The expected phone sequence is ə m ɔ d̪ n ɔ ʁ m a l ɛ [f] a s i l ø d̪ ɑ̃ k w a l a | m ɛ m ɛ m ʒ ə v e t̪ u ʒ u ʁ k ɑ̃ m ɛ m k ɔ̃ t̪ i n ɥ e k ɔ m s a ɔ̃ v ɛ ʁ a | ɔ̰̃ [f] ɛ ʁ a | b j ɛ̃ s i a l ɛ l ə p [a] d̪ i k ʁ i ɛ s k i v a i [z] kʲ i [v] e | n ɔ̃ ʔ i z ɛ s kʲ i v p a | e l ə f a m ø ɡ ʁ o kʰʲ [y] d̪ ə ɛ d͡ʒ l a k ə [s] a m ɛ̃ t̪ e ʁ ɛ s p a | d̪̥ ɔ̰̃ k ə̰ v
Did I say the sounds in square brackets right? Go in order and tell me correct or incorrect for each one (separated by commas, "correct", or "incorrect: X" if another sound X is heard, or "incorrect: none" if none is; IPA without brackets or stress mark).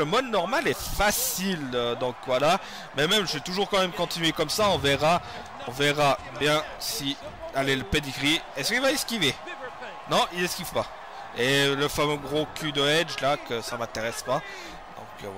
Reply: correct, incorrect: v, incorrect: e, incorrect: s, correct, correct, correct